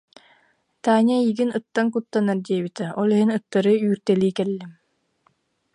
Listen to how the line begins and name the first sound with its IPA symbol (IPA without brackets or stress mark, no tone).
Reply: t̪